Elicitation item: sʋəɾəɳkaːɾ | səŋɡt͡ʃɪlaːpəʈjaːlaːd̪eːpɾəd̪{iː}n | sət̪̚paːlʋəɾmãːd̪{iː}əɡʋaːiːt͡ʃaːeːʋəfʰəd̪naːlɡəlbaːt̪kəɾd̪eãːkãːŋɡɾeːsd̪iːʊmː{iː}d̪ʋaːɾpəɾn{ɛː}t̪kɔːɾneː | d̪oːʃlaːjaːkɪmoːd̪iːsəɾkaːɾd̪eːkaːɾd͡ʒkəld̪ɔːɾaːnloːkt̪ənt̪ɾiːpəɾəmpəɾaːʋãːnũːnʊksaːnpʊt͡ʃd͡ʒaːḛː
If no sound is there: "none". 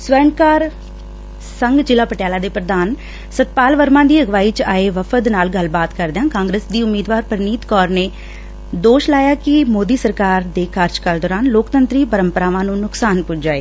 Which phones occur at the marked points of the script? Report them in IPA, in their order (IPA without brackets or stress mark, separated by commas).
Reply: aː, iː, iː, iː